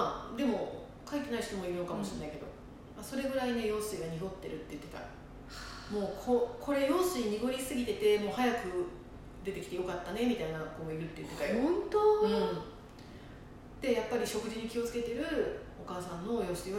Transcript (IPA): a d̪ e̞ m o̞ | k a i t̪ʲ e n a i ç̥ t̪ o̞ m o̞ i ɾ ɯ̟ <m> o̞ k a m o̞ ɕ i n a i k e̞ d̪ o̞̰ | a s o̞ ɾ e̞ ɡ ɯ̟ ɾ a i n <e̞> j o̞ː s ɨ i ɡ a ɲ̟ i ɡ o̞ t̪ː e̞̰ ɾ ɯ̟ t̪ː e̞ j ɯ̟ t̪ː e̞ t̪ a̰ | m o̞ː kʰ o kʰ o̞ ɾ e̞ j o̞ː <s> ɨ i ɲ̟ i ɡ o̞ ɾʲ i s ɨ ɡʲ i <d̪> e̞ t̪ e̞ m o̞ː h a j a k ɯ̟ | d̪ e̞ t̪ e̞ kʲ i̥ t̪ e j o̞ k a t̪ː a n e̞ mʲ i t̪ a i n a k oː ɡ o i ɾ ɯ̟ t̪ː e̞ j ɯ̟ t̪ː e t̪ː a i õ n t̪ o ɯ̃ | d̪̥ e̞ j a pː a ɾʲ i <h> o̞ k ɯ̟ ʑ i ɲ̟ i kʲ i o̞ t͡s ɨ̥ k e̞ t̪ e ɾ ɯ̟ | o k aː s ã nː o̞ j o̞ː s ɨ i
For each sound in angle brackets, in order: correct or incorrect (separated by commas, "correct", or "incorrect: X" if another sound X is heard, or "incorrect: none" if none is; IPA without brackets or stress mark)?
incorrect: n, correct, correct, incorrect: t̪, incorrect: ɕ